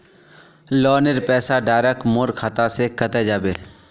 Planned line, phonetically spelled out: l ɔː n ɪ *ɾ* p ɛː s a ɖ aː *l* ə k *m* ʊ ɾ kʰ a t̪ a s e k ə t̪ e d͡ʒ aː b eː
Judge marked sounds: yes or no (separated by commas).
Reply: yes, no, yes